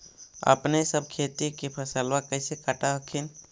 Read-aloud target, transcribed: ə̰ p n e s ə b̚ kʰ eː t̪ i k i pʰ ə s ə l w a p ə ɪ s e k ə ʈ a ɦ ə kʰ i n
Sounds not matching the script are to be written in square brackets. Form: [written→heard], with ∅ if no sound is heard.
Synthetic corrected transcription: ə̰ p n e s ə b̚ kʰ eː t̪ i k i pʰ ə s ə l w a [p→k] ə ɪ s e k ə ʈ a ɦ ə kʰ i n